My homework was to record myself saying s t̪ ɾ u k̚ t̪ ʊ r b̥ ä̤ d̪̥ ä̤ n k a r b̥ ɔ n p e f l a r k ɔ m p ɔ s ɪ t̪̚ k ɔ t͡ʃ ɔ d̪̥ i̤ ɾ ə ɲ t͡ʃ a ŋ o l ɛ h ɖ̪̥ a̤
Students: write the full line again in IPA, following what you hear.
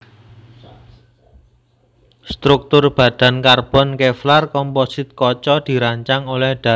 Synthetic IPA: s t̪ ɾ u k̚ t̪ ʊ r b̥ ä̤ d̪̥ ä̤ n k a r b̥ ɔ n k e f l a r k ɔ m p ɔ s ɪ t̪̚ k ɔ t͡ʃ ɔ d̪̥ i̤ ɾ a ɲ t͡ʃ a ŋ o l ɛ h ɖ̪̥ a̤